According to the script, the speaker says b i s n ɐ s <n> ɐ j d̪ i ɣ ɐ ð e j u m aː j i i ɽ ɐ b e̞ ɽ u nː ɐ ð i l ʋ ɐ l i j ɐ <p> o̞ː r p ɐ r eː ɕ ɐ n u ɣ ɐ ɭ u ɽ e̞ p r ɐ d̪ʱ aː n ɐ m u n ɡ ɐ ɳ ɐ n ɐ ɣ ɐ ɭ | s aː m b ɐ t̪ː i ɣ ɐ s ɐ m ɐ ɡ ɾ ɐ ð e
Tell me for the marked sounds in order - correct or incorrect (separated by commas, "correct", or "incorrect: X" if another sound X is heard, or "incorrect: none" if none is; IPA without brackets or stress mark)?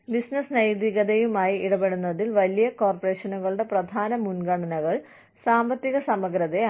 correct, incorrect: k